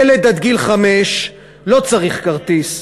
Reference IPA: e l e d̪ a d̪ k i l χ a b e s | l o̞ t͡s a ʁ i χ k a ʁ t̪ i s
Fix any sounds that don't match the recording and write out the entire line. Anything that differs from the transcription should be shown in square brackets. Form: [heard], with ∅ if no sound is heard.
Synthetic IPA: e l e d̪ a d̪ [ɡ] i l χ a [m] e [ʃ] | l o̞ t͡s a ʁ i χ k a ʁ t̪ i s